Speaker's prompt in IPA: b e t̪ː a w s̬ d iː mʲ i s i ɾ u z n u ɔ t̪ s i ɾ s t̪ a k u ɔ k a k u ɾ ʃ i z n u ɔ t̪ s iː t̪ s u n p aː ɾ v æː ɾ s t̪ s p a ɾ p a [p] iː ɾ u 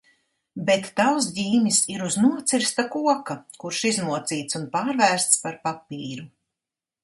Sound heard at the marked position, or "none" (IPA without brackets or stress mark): p